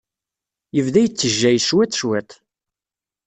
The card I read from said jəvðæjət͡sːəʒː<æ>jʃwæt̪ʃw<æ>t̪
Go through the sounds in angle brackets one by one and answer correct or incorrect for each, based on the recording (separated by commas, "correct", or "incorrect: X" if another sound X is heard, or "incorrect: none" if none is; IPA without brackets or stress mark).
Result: correct, correct